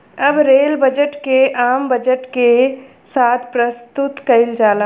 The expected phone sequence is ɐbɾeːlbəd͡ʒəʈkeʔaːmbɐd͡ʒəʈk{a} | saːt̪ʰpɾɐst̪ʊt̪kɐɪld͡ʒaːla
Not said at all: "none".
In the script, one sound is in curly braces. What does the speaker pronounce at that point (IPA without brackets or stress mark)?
e